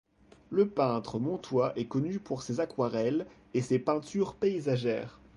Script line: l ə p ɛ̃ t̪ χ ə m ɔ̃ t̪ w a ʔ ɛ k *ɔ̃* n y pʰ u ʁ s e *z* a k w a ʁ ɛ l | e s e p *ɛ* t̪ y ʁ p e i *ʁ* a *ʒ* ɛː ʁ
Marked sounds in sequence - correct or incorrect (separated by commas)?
incorrect, correct, incorrect, incorrect, correct